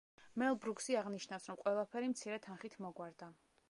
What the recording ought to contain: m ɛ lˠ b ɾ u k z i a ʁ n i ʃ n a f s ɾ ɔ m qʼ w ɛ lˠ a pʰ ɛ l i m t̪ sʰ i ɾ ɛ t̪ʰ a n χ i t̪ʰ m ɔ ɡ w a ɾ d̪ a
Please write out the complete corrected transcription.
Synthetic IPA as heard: m ɛ lˠ b ɾ u k s i a ʁ n i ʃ n a f s ɾ ɔ m qʼ w ɛ lˠ a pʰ ɛ ɾ i m t̪ sʰ i ɾ ɛ t̪ʰ a n χ i t̪ʰ m ɔ ɡ w a ɾ d̪ a